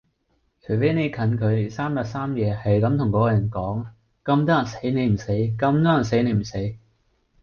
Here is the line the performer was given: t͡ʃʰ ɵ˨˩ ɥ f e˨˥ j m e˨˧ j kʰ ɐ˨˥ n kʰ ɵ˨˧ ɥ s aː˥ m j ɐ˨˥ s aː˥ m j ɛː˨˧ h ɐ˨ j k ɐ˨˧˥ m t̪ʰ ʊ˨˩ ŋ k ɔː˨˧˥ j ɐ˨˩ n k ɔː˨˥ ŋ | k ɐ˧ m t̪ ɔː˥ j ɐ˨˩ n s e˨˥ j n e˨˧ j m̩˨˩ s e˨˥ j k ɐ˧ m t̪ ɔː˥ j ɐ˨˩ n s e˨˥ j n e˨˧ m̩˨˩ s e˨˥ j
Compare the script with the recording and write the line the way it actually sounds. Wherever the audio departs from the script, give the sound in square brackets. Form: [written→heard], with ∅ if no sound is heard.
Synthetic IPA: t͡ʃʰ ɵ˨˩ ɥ f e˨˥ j [m→n] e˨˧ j kʰ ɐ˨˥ n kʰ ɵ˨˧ ɥ s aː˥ m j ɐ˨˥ s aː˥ m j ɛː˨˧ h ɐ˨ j k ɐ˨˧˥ m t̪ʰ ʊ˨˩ ŋ k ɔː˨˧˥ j ɐ˨˩ n k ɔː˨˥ ŋ | k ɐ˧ m t̪ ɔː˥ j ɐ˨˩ n s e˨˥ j n e˨˧ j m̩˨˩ s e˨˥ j k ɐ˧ m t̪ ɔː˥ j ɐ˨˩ n s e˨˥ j n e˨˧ m̩˨˩ s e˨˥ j